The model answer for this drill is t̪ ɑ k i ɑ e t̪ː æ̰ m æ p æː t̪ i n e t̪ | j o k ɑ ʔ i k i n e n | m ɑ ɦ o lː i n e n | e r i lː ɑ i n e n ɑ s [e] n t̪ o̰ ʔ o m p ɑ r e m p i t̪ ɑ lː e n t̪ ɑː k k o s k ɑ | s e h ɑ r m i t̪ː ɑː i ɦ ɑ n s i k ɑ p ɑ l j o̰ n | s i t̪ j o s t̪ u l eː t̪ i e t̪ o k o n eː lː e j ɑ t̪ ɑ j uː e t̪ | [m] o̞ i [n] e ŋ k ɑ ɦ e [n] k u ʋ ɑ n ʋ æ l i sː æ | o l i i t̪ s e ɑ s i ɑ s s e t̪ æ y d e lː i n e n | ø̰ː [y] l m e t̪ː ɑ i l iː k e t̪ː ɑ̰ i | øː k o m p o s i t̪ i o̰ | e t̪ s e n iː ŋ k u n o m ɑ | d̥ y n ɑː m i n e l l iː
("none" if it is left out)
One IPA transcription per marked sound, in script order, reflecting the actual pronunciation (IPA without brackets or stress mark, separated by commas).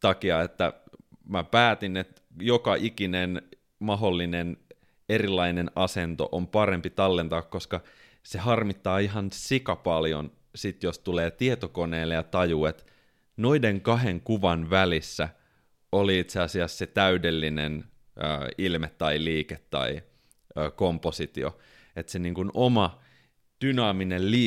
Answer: e, n, d, ŋ, i